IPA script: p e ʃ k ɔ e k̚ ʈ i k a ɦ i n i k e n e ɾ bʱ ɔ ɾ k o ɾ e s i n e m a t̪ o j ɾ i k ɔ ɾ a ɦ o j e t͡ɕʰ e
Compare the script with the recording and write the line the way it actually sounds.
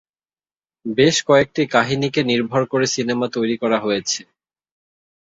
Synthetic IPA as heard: b e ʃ k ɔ e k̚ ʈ i k a ɦ i n i k e n i ɾ bʱ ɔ ɾ k o ɾ e s i n e m a t̪ o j ɾ i k ɔ ɾ a ɦ o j e t͡ɕʰ e